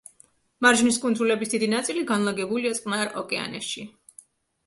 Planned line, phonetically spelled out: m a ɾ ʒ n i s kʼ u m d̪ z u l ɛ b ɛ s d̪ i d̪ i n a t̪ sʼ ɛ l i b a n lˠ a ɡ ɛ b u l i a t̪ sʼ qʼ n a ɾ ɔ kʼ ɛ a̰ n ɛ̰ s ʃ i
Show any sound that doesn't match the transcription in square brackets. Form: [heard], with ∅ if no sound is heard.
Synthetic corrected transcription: m a ɾ ʒ n i s kʼ u [n] d̪ z u l ɛ b [i] s d̪ i d̪ i n a t̪ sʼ [i] l i [ɡ] a n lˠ a ɡ ɛ b u l i a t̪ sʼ qʼ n a ɾ ɔ kʼ ɛ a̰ n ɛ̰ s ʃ i

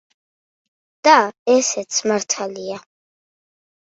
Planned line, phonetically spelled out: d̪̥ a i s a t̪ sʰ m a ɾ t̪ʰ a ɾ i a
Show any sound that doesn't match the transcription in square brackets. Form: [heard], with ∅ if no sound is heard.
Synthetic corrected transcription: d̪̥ a [ɛ] s [ɛ] t̪ sʰ m a ɾ t̪ʰ a [l] i a

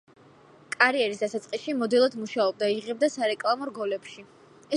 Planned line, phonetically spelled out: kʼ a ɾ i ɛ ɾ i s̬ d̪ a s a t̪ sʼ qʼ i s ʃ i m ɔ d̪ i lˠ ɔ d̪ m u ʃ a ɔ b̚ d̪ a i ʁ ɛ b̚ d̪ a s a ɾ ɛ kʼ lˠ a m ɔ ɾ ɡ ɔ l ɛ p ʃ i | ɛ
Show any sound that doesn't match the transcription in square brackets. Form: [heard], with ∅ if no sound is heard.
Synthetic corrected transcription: kʼ a ɾ i ɛ ɾ i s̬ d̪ a s a t̪ sʼ qʼ i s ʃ i m ɔ d̪ i lˠ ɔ d̪ m u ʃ a ɔ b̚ d̪ a i ʁ ɛ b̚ d̪ a s a ɾ ɛ kʼ lˠ a m ɔ ɾ ɡ ɔ l ɛ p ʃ i | ɛ

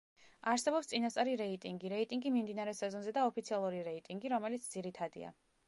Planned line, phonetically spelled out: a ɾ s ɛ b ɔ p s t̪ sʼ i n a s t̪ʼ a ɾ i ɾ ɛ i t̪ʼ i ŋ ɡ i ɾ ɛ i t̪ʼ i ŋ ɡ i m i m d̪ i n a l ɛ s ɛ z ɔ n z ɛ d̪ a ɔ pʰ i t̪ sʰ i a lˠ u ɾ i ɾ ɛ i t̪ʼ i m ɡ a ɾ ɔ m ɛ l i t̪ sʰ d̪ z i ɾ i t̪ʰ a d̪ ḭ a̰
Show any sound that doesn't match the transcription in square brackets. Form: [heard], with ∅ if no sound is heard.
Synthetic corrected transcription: a ɾ s ɛ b ɔ p s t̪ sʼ i n a s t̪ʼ a ɾ i ɾ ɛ i t̪ʼ i ŋ ɡ i ɾ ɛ i t̪ʼ i ŋ ɡ i m i m d̪ i n a [ɾ] ɛ s ɛ z ɔ n z ɛ d̪ a ɔ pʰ i t̪ sʰ i a lˠ u ɾ i ɾ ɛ i t̪ʼ i [ŋ] ɡ [i] ɾ ɔ m ɛ l i t̪ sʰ d̪ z i ɾ i t̪ʰ a d̪ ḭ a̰

